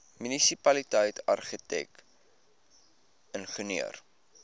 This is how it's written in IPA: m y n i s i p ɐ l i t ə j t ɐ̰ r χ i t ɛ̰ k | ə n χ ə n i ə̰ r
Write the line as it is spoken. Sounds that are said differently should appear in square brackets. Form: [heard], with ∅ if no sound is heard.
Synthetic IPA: m y n i s i p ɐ l i t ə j t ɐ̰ r χ i t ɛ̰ k | ə n χ ə n i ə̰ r